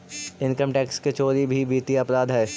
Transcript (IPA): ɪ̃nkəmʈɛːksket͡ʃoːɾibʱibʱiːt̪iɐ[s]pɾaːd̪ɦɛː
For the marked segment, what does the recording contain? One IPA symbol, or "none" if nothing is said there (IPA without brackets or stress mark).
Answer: none